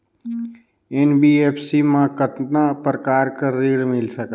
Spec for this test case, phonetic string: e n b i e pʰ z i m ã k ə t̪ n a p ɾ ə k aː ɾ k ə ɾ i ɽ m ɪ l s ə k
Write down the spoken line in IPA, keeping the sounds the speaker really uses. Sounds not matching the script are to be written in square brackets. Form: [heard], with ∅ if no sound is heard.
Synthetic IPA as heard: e n b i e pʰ [s] i m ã k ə t̪ n a p ɾ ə k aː ɾ k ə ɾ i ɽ m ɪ l s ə k